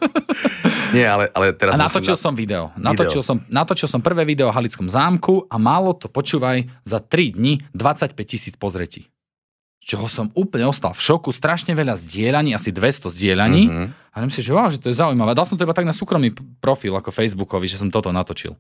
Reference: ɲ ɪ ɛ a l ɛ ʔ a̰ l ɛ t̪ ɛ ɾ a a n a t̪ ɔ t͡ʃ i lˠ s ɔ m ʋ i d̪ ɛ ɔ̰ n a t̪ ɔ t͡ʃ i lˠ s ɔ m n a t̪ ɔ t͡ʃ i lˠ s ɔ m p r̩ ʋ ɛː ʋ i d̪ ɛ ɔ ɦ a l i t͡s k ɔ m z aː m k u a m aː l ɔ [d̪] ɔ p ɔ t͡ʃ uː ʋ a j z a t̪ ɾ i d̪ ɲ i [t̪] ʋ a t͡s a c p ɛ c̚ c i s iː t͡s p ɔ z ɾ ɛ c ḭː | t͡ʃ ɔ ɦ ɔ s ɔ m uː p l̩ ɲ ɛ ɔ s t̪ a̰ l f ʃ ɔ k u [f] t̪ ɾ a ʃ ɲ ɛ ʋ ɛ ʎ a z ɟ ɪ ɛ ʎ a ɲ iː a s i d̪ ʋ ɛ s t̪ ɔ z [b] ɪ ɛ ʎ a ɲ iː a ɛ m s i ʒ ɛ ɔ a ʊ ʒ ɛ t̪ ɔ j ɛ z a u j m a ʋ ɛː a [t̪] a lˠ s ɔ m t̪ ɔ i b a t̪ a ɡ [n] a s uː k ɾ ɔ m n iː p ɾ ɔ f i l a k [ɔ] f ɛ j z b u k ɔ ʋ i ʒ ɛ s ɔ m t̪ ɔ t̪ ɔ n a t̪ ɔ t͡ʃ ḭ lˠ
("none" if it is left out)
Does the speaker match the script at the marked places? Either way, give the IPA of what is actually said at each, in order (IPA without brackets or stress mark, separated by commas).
t̪, d̪, s, ɟ, d̪, n, ɔ